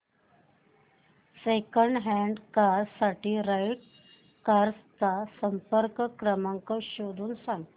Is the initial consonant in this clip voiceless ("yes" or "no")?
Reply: yes